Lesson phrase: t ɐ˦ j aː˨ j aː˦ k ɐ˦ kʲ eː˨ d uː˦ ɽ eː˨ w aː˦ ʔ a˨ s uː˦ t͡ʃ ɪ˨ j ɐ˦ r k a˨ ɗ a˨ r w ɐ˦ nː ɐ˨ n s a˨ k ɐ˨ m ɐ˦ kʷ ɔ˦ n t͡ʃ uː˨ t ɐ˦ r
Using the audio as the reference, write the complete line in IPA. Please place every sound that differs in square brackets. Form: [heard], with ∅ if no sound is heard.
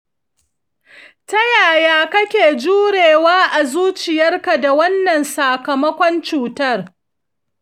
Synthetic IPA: t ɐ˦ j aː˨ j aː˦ k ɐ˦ kʲ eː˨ [d͡ʒ] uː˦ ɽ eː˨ w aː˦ ʔ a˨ [z] uː˦ t͡ʃ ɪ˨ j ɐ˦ r k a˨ [d] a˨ [∅] w ɐ˦ nː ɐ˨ n s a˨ k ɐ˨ m ɐ˦ kʷ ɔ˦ n t͡ʃ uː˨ t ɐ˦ r